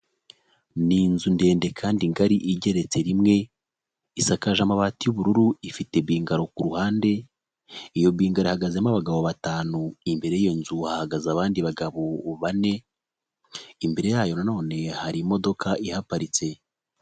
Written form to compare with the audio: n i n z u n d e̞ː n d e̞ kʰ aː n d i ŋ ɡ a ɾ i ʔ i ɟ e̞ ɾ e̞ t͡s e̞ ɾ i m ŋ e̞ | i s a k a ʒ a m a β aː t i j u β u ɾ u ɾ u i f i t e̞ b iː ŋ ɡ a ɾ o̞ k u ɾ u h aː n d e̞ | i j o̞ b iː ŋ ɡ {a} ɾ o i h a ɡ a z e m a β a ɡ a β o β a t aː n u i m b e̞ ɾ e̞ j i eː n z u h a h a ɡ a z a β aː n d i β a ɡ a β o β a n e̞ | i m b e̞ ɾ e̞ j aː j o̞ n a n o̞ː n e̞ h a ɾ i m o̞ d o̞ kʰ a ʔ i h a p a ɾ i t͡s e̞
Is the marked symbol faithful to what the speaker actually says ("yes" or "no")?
yes